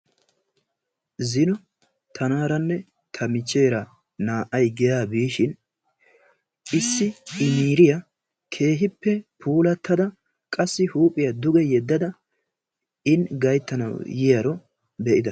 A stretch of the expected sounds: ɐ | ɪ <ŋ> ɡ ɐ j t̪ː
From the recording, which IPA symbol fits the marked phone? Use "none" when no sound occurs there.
n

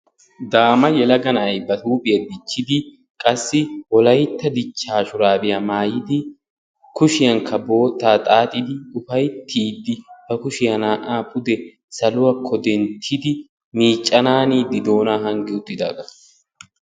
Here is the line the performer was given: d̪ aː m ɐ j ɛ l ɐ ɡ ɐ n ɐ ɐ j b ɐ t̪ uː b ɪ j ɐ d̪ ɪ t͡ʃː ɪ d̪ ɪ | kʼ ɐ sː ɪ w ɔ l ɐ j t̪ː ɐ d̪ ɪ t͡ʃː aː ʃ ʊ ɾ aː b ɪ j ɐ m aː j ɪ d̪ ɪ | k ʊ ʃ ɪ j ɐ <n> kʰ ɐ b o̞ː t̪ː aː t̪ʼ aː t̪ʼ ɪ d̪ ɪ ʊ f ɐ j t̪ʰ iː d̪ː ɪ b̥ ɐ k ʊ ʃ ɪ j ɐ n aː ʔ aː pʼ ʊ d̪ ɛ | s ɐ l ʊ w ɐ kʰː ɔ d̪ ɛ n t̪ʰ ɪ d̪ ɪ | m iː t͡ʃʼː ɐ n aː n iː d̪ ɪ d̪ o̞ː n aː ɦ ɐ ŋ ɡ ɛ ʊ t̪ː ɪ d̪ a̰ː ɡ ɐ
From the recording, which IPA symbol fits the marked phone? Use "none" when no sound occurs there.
ŋ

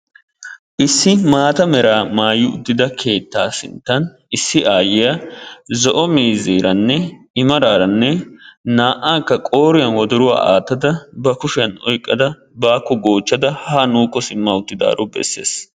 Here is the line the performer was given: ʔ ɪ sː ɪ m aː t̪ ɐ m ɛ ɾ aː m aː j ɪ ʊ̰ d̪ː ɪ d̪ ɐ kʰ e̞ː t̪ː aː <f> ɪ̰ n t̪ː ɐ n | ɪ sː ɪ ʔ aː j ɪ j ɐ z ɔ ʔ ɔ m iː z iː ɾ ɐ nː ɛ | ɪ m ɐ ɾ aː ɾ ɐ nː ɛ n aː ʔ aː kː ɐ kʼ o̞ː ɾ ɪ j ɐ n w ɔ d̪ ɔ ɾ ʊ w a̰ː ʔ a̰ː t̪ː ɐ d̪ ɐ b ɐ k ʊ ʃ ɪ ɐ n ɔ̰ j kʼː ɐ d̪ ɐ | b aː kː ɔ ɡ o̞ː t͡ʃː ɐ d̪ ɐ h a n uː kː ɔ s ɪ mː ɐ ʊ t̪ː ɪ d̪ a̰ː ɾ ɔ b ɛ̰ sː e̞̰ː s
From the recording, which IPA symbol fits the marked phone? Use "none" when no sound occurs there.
s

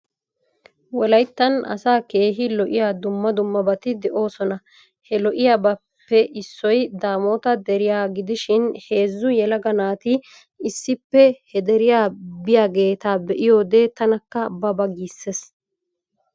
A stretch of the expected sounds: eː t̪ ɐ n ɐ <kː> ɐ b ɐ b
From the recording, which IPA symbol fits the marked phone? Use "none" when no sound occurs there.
kː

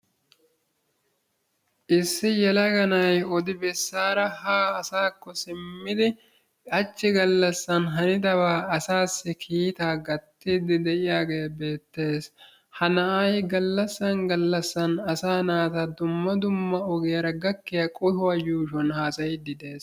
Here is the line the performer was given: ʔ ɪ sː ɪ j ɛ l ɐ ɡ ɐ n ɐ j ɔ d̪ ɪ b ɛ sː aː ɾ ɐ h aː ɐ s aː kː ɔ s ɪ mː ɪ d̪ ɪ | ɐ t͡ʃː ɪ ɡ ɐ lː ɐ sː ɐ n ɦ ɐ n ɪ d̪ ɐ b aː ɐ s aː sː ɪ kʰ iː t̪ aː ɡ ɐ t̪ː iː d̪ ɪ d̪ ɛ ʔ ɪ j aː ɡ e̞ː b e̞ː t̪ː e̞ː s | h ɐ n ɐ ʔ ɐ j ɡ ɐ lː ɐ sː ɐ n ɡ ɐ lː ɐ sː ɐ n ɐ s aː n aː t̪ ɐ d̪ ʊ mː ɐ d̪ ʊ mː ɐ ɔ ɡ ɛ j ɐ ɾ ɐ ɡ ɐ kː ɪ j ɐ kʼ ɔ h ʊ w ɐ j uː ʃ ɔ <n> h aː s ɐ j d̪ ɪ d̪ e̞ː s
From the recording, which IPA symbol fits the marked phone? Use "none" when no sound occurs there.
n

